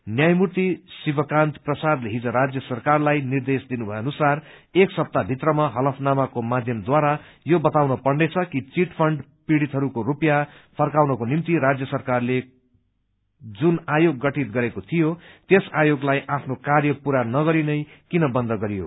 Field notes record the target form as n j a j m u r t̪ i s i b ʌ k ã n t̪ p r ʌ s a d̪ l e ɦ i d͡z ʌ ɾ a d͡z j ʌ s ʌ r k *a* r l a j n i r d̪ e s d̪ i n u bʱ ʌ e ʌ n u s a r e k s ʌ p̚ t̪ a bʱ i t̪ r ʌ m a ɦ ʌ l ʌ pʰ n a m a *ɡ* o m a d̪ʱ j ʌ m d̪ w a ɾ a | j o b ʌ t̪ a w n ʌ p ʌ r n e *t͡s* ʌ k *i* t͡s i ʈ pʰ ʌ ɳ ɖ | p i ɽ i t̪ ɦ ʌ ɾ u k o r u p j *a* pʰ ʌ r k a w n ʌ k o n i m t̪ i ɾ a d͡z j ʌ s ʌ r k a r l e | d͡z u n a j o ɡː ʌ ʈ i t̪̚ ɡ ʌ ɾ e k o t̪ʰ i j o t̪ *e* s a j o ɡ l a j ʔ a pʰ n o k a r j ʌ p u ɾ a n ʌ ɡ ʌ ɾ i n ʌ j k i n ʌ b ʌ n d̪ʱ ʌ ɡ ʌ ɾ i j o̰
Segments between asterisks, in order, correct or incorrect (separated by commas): correct, incorrect, incorrect, correct, correct, correct